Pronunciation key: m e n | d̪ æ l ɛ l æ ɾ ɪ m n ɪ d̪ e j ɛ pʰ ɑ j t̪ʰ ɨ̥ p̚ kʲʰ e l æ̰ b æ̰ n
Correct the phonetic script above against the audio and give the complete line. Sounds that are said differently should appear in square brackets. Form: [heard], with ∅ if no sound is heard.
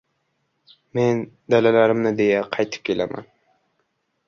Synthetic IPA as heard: m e n | d̪ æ l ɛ l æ ɾ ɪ m n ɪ d̪ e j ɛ [qʰ] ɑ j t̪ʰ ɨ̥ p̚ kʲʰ e l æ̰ [m] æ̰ n